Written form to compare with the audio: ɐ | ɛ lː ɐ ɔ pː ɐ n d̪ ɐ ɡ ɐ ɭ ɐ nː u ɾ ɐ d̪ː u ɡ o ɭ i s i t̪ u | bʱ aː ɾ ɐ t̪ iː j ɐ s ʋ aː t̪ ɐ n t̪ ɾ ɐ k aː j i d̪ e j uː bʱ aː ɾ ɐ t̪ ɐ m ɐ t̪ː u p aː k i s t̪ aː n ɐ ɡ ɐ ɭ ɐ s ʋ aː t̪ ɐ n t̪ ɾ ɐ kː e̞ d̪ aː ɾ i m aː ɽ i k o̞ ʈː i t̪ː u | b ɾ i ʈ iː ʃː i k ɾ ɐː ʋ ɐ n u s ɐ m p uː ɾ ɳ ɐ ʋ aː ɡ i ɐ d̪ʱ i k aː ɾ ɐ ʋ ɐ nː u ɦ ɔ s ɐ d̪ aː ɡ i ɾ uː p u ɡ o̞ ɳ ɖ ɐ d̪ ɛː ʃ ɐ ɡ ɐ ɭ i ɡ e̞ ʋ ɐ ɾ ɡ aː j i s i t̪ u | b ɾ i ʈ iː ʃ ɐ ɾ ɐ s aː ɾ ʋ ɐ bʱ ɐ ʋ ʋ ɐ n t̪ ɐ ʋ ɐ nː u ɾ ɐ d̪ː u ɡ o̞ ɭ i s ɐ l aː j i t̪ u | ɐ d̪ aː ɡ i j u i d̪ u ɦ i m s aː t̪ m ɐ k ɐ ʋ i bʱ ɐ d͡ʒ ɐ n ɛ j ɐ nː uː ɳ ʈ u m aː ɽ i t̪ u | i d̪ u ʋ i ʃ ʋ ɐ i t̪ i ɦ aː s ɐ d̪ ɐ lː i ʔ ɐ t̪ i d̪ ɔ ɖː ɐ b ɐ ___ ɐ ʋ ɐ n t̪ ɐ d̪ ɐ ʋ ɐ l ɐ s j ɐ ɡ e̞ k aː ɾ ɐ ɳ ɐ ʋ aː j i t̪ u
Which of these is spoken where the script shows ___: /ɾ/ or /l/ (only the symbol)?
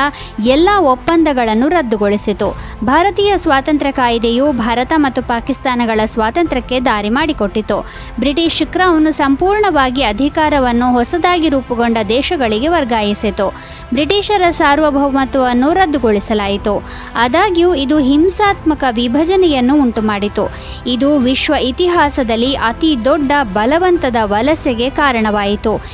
l